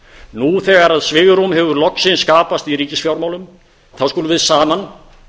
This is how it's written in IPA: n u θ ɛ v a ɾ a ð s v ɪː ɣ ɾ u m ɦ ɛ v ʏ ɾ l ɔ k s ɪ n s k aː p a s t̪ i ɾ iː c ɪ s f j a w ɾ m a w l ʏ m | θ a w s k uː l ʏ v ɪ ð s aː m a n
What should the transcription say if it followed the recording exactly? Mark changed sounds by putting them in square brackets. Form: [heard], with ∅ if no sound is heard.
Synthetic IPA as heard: n u θ ɛ [ɣ] a ɾ a ð s v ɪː ɣ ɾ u m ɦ ɛ v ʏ ɾ l ɔ k s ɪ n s k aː p a s t̪ i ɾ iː c ɪ s f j a w ɾ m a w l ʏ m | θ a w s k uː l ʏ v ɪ ð s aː m a n